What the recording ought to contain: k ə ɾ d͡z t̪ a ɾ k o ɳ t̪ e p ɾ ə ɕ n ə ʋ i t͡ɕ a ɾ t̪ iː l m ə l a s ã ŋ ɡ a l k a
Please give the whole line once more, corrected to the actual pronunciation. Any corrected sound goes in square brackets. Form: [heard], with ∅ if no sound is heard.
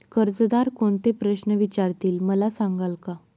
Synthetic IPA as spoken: k ə ɾ d͡z [d̪] a ɾ k o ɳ t̪ e p ɾ ə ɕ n ə ʋ i t͡ɕ a ɾ t̪ iː l m ə l a s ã ŋ ɡ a l k a